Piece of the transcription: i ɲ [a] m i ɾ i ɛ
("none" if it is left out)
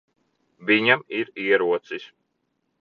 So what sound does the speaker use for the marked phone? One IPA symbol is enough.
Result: a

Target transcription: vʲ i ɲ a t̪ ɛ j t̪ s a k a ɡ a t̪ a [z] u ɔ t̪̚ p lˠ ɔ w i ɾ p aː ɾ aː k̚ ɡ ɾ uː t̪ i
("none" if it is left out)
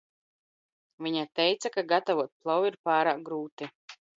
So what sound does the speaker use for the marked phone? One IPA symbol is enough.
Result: v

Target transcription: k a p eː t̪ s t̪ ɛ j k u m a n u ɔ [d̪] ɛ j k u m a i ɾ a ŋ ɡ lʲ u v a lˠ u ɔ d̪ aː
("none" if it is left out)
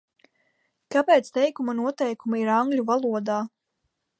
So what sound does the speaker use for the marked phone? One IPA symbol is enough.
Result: t̪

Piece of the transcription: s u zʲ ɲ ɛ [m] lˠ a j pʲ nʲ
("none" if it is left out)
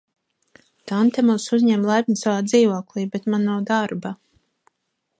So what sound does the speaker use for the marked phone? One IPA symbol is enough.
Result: m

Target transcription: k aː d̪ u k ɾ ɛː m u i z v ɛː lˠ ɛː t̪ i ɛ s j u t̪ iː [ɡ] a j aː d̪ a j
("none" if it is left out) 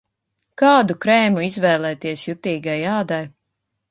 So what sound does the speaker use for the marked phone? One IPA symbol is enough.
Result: ɡ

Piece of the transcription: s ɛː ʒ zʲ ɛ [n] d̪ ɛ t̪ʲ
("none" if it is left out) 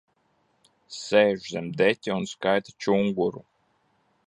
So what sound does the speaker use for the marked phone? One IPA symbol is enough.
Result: m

